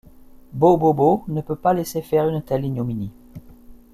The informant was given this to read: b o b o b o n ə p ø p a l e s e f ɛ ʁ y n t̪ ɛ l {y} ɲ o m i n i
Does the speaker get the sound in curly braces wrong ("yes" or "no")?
yes